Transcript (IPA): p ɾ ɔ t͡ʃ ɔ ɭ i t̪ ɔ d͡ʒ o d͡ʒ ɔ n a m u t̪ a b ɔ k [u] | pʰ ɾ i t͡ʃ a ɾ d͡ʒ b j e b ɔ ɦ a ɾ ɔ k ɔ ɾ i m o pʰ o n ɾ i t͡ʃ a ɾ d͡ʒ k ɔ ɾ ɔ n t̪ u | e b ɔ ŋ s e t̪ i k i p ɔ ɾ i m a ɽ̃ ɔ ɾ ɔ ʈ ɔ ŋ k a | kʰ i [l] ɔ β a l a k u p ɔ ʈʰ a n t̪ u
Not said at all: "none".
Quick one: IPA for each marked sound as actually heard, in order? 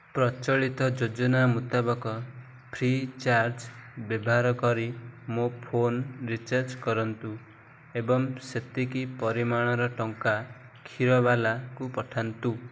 ɔ, ɾ

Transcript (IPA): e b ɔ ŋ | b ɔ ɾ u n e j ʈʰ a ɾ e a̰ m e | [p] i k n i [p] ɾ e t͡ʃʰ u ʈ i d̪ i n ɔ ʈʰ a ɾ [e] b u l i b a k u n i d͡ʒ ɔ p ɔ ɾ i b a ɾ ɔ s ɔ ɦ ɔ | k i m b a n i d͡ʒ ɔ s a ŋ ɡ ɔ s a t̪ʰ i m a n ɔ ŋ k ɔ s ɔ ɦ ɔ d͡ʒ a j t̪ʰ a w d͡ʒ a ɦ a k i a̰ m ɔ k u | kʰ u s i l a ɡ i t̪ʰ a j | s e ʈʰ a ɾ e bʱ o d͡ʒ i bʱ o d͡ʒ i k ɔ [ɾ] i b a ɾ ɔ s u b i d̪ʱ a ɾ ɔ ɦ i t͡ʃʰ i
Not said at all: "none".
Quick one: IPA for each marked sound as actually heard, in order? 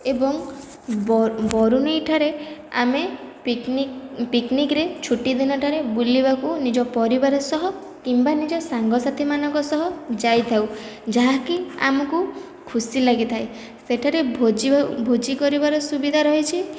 p, k, e, ɾ

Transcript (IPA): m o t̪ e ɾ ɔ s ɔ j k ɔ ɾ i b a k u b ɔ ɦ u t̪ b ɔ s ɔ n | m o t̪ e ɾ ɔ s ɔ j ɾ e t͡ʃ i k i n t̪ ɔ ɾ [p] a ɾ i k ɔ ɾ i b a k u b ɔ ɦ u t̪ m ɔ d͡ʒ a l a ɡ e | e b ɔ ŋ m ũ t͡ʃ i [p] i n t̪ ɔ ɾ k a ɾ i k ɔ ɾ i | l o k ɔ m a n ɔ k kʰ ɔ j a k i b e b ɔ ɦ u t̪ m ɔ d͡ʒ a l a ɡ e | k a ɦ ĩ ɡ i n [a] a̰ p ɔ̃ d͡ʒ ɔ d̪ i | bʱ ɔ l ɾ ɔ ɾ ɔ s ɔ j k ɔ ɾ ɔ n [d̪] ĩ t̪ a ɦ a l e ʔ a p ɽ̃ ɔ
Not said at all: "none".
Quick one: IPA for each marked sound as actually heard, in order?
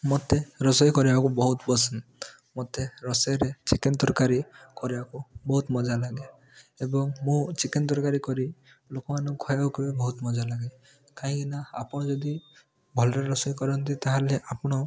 k, k, a, t̪

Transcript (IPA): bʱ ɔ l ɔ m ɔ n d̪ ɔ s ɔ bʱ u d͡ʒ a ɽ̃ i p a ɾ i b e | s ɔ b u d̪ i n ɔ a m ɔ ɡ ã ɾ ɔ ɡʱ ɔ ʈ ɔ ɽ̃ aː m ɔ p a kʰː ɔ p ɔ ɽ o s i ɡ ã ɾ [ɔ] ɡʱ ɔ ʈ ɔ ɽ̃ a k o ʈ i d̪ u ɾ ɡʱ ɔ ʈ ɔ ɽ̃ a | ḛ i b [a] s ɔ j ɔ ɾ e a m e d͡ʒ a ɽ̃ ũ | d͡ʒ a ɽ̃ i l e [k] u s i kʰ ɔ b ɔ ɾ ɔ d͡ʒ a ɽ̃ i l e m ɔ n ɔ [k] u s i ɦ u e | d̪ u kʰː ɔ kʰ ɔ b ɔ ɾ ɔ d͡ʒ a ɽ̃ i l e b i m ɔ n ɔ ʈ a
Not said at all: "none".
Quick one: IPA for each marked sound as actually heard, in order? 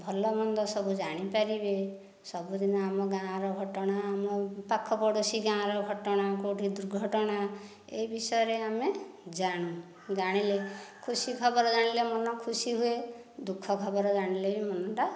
ɔ, i, kʰ, kʰ

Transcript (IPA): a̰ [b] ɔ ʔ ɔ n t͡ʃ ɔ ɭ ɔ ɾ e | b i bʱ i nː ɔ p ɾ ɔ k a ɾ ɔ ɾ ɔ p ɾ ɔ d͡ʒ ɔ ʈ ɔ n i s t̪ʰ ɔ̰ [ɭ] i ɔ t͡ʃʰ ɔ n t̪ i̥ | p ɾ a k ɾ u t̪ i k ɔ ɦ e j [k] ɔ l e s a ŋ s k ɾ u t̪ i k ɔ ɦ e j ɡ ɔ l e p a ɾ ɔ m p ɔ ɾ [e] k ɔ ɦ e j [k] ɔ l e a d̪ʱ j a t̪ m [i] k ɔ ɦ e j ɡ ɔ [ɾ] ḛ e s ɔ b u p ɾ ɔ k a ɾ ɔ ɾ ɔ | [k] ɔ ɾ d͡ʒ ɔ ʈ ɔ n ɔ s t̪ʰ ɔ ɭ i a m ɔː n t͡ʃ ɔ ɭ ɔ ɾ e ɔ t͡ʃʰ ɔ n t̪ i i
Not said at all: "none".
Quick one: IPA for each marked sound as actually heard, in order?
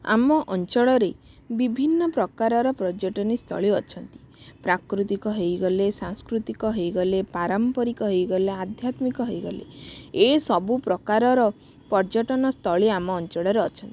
m, ɭ, ɡ, i, ɡ, i, l, p

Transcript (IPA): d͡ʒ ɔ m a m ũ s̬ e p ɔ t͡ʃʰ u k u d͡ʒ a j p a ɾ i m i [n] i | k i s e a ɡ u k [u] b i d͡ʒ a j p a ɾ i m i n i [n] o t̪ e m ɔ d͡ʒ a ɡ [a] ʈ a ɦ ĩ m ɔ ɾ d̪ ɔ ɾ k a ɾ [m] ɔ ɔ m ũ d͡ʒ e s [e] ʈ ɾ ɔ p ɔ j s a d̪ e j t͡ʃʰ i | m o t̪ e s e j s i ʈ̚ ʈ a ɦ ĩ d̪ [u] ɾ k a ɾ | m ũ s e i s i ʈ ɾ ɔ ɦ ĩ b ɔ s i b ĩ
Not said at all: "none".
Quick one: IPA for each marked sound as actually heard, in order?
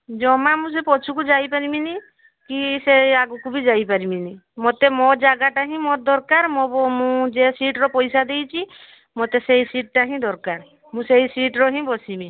n, u, m, a, m, i, ɔ

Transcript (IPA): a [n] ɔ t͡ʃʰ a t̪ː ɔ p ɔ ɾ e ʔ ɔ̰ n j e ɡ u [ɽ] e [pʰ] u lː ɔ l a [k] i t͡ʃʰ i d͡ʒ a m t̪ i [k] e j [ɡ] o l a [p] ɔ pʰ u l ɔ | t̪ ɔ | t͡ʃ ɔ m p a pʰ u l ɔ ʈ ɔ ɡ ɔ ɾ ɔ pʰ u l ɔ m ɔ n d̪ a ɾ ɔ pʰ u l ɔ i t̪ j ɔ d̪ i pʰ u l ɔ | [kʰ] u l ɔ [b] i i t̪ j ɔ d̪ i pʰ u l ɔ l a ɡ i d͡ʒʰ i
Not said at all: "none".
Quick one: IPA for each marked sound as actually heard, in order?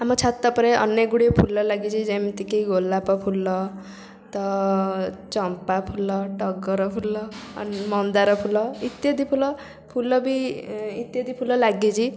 m, ɽ, pʰ, ɡ, k, ɡ, p, pʰ, b

